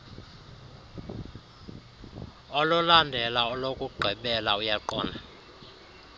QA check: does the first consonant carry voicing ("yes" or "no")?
yes